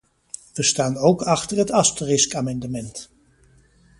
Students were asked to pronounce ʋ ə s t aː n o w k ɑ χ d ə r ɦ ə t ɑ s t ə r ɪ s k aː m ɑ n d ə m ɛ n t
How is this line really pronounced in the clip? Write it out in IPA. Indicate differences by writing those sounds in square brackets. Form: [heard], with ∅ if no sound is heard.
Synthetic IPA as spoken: ʋ ə s t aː n o w k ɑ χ [t] ə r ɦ ə t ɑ s t ə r ɪ s k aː m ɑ n d ə m ɛ n t